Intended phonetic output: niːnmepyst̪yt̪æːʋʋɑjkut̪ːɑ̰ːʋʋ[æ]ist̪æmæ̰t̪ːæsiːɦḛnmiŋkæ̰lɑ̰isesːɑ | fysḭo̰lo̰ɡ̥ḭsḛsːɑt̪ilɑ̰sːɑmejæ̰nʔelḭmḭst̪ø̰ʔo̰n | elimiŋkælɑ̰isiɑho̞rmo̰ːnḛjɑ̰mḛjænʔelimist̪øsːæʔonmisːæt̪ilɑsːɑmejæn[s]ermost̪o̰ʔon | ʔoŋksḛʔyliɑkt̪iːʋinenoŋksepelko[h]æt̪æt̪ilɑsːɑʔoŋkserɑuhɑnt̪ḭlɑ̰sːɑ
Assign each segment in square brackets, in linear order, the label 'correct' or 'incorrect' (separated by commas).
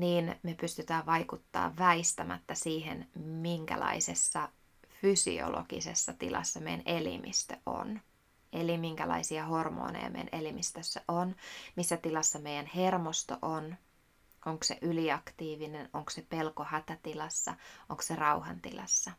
correct, incorrect, correct